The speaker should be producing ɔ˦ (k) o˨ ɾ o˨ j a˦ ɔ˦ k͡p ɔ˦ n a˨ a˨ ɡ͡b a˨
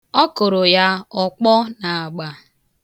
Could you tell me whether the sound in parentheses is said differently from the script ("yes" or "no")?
no